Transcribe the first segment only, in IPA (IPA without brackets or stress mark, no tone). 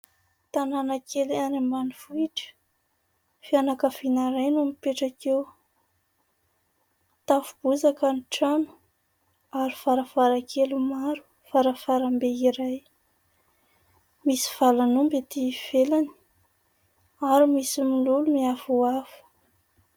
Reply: t̪